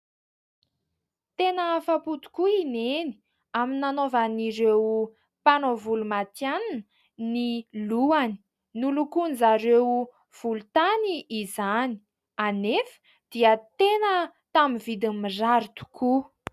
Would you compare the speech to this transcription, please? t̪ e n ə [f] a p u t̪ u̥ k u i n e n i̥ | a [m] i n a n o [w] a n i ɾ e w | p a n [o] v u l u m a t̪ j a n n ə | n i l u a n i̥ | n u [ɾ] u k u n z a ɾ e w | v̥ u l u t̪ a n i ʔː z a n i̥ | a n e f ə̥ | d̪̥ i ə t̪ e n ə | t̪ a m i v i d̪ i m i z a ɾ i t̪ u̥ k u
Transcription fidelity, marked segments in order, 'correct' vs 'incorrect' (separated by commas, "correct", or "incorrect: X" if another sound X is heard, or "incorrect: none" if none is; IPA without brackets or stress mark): correct, correct, incorrect: v, correct, incorrect: l